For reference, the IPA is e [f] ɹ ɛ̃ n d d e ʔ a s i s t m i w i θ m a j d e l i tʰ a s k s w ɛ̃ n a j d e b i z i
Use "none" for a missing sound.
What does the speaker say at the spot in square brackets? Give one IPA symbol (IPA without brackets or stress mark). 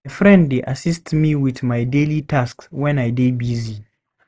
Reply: f